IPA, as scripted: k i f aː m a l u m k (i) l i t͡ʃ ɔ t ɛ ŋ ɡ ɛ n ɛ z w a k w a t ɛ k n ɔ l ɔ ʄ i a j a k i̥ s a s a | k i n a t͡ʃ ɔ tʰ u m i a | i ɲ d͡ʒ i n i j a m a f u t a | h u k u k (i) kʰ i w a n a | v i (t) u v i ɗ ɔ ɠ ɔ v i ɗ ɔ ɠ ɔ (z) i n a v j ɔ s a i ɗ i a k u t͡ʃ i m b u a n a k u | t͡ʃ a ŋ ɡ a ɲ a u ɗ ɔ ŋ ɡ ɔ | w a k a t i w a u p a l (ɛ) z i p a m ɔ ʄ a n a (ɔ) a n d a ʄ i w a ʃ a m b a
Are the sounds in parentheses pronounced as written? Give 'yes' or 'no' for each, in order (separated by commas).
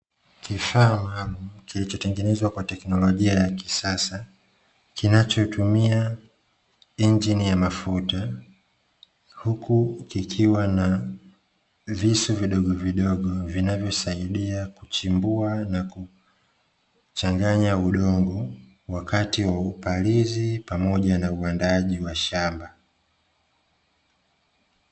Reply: yes, yes, no, no, no, no